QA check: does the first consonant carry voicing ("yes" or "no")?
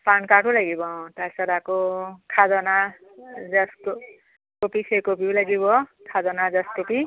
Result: no